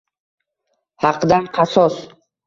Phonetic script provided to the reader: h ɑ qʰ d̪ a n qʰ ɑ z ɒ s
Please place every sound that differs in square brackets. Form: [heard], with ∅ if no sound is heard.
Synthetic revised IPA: h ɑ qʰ d̪ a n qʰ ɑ [s] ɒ s